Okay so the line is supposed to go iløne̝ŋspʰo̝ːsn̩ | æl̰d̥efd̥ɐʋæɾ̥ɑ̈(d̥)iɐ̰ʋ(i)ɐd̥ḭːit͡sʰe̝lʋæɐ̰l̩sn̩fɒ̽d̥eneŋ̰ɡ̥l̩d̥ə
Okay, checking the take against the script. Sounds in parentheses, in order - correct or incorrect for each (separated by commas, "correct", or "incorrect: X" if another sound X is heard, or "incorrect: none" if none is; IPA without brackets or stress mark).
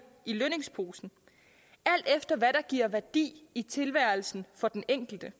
incorrect: ɡ̥, incorrect: æ